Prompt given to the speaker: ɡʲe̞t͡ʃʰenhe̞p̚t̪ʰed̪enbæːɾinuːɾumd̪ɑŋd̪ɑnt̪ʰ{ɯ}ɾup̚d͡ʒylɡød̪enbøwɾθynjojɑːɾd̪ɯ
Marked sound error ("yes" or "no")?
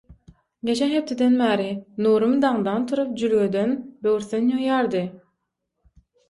yes